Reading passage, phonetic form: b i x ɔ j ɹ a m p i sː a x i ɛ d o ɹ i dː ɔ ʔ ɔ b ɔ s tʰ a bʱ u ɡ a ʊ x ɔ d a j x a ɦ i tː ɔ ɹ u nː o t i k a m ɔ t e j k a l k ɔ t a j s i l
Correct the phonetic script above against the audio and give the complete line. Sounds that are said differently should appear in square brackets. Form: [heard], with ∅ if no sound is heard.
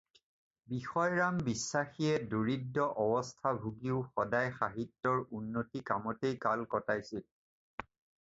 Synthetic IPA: b i x ɔ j ɹ a m [b] i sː a x i ɛ d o ɹ i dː ɔ ʔ ɔ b ɔ s tʰ a bʱ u ɡ [i] ʊ x ɔ d a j x a ɦ i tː ɔ ɹ u nː o t i k a m ɔ t e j k a l k ɔ t a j s i l

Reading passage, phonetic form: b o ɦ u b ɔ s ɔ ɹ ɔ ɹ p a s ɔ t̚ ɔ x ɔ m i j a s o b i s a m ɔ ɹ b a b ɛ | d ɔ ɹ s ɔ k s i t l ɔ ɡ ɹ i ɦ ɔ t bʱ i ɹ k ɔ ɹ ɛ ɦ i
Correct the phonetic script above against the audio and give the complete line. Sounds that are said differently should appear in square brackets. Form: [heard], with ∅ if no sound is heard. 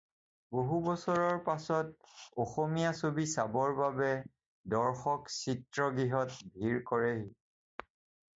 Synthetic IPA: b o ɦ u b ɔ s ɔ ɹ ɔ ɹ p a s ɔ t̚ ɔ x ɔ m i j a s o b i s a [b] ɔ ɹ b a b ɛ | d ɔ ɹ [x] ɔ k s i t [ɹ] ɔ ɡ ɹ i ɦ ɔ t bʱ i ɹ k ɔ ɹ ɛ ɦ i

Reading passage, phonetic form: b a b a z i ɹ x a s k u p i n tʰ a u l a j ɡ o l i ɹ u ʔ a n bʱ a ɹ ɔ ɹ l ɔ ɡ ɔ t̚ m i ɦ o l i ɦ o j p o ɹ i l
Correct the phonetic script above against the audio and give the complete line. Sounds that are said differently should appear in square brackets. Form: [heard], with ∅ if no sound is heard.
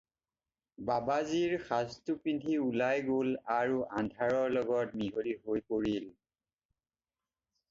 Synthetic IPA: b a b a z i ɹ x a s [t] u p i n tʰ [i] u l a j ɡ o l [a] ɹ u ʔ a n [dʱ] a ɹ ɔ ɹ l ɔ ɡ ɔ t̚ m i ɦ o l i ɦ o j p o ɹ i l

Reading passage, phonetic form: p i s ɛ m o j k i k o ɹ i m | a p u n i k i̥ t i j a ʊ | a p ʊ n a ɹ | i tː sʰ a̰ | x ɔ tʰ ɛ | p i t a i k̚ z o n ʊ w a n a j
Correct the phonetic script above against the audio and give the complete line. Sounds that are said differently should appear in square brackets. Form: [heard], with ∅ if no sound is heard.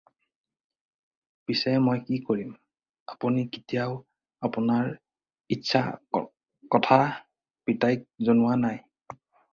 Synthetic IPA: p i s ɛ m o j k i k o ɹ i m | a p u n i k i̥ t i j a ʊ | a p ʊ n a ɹ | i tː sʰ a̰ | [k] ɔ tʰ [a] | p i t a [j] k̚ z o n ʊ w a n a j

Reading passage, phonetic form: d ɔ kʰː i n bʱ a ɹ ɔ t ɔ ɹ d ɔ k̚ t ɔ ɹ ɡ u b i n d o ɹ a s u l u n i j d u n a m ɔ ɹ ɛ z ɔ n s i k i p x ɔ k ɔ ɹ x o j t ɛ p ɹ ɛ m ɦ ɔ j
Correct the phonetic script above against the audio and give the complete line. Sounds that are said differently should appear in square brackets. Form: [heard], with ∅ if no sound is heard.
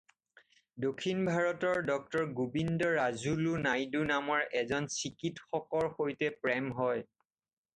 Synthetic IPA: d [o] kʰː i n bʱ a ɹ ɔ t ɔ ɹ d ɔ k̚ t ɔ ɹ ɡ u b i n d [ɔ] ɹ a [z] u l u n [a] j d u n a m ɔ ɹ ɛ z ɔ n s i k i [t] x ɔ k ɔ ɹ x o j t ɛ p ɹ ɛ m ɦ ɔ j

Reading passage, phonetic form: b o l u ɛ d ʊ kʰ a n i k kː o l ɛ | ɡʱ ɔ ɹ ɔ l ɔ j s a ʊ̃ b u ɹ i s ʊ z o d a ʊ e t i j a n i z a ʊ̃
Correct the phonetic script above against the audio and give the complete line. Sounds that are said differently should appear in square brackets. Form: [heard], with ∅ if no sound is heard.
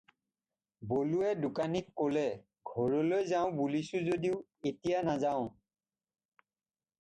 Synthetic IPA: b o l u ɛ d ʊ [k] a n i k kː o l ɛ | ɡʱ ɔ ɹ ɔ l [o] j [z] a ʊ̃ b u [l] i s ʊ z o d [i] ʊ e t i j a n [a] z a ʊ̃

